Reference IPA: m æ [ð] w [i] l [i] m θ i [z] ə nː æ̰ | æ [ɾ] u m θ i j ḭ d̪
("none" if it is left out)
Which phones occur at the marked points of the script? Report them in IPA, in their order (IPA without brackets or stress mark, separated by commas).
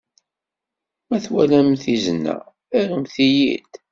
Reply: θ, æ, æ, z, ɾ